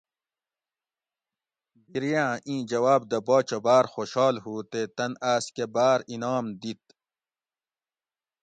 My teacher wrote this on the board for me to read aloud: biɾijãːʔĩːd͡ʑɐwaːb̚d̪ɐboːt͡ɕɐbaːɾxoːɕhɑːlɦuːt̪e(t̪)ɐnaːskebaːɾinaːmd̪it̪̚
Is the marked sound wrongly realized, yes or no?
no